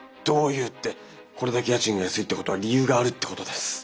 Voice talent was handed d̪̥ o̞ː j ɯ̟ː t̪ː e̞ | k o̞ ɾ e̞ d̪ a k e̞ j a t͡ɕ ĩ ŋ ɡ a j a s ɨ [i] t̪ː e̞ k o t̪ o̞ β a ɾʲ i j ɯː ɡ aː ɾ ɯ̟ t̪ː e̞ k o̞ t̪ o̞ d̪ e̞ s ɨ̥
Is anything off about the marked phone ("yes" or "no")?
no